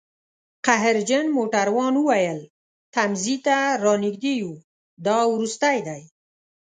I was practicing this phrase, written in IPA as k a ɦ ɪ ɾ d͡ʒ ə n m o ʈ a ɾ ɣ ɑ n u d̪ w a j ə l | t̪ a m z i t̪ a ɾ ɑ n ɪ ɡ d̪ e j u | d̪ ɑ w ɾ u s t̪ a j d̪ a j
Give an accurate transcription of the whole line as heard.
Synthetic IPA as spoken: q a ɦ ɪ ɾ d͡ʒ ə n m o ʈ a ɾ w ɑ n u w a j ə l | t̪ a m z i t̪ a ɾ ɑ n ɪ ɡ d̪ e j u | d̪ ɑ w ɾ u s t̪ a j d̪ a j